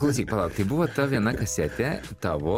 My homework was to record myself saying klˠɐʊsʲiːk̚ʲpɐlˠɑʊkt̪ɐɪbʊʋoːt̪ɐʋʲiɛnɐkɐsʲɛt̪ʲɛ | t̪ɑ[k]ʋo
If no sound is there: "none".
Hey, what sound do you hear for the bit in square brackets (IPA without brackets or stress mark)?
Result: none